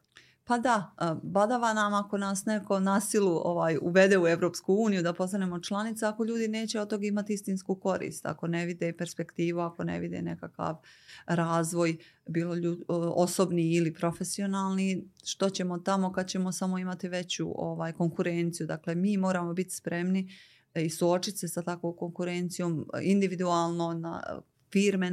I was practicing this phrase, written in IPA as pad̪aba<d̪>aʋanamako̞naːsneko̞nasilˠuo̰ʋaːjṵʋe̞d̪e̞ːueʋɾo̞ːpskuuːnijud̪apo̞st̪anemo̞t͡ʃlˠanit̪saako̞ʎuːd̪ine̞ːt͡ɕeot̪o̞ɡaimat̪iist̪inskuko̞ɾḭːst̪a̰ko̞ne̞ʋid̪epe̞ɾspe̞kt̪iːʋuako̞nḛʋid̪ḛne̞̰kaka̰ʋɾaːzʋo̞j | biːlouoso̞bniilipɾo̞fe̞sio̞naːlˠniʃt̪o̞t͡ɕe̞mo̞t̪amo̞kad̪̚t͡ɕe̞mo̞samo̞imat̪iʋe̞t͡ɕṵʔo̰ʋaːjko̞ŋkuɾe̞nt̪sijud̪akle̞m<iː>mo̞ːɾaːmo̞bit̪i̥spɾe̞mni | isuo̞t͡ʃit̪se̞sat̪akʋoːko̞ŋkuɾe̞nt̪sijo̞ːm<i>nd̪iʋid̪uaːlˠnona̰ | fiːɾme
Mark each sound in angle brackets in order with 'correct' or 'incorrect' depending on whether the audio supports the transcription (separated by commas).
correct, correct, correct